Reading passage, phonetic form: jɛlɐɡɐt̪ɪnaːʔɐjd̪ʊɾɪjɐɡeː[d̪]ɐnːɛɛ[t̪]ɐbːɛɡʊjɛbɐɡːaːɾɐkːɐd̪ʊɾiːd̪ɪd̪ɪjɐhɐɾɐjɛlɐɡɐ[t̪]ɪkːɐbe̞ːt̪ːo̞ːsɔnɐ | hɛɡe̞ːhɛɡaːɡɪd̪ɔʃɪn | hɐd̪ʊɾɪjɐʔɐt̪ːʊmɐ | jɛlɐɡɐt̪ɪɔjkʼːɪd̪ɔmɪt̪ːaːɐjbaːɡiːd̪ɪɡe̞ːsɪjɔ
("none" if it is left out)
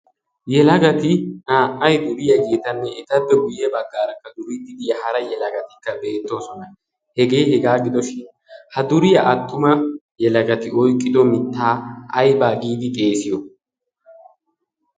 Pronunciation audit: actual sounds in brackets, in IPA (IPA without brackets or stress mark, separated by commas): t̪, t̪, t̪